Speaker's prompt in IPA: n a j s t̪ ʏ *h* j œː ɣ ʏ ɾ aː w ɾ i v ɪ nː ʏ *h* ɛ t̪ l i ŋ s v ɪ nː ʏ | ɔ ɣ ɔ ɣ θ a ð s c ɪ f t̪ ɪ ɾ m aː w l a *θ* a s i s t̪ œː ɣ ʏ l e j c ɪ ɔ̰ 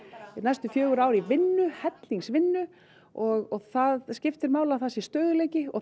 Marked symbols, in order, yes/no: no, yes, yes

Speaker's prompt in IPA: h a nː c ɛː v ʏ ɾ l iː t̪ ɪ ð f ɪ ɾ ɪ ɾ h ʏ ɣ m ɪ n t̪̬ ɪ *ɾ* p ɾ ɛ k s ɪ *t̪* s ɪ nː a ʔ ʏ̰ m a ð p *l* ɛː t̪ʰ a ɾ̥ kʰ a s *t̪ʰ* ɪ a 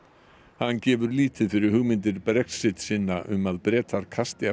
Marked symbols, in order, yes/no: yes, yes, no, no

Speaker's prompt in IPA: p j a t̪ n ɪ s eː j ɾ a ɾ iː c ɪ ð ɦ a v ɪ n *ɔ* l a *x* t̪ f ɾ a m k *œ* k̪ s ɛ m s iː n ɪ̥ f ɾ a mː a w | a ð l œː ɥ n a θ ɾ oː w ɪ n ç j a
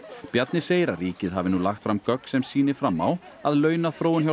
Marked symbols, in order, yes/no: no, yes, yes

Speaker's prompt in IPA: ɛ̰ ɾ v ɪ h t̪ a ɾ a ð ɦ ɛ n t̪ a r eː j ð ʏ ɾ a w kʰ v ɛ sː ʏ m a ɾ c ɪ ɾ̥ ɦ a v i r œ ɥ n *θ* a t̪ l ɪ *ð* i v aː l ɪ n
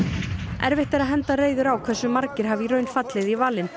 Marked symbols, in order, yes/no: no, yes

